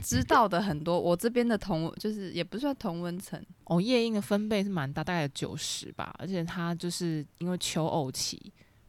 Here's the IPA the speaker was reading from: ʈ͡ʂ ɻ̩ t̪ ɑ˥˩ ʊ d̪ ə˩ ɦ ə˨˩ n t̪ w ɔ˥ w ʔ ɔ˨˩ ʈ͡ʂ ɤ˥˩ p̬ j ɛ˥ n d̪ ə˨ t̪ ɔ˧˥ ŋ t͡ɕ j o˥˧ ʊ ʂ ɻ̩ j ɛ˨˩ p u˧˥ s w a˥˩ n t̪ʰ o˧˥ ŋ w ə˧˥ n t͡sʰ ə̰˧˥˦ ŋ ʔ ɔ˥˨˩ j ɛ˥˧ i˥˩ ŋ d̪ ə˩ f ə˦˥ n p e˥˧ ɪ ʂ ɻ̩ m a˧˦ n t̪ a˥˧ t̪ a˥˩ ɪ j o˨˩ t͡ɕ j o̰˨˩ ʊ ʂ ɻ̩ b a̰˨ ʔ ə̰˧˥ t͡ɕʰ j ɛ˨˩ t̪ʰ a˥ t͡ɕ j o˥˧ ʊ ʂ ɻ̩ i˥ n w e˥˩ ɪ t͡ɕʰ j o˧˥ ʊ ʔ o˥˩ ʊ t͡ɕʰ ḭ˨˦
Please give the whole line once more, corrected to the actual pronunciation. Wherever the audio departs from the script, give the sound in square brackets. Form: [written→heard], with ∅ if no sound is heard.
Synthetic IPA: ʈ͡ʂ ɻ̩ t̪ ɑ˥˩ ʊ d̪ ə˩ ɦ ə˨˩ n t̪ w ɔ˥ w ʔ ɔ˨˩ ʈ͡ʂ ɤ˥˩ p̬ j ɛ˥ n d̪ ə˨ [t̪→t̪ʰ] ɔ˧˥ ŋ t͡ɕ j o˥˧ ʊ ʂ ɻ̩ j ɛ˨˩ p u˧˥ s w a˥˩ n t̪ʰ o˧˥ ŋ w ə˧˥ n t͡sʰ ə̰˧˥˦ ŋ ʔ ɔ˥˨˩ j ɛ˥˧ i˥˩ ŋ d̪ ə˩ f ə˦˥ n p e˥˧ ɪ ʂ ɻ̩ m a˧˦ n t̪ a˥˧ t̪ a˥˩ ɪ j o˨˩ t͡ɕ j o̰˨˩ ʊ ʂ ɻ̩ b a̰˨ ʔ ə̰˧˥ t͡ɕʰ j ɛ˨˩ t̪ʰ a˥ t͡ɕ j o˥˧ ʊ ʂ ɻ̩ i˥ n w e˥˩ ɪ t͡ɕʰ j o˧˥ ʊ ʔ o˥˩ ʊ t͡ɕʰ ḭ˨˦